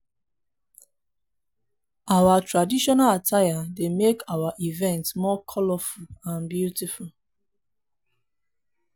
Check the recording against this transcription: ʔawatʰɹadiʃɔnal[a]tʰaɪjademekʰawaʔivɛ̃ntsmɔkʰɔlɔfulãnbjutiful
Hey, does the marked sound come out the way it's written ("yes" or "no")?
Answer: yes